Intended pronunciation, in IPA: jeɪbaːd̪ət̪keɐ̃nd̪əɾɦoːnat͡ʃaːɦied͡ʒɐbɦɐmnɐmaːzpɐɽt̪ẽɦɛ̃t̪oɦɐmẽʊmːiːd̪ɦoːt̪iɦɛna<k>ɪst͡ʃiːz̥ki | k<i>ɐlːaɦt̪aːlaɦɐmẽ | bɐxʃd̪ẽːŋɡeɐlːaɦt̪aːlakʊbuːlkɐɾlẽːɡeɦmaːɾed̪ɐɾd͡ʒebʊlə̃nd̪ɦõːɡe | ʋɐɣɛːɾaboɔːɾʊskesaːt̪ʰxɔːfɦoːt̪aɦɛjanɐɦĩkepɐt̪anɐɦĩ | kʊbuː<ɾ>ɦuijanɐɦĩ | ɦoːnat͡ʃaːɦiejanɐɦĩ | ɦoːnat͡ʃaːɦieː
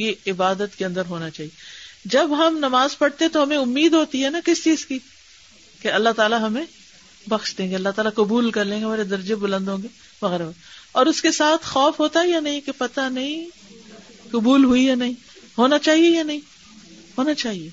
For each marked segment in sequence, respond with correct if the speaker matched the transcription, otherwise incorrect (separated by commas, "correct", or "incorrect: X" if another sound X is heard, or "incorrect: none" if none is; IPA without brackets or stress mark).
correct, incorrect: e, incorrect: l